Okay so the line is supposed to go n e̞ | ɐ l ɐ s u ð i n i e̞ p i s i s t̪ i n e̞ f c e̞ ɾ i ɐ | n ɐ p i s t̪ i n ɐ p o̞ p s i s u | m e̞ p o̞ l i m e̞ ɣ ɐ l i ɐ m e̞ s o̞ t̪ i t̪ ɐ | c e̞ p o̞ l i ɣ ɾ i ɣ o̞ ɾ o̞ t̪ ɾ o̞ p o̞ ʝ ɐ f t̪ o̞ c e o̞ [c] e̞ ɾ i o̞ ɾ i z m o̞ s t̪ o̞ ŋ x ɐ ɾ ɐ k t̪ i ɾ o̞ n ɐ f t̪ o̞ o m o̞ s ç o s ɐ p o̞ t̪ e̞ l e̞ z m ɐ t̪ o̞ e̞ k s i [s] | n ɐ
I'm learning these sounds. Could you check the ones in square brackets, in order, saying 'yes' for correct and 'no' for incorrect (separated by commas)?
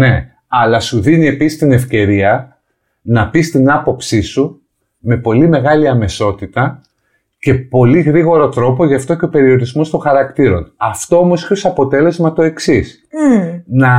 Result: no, yes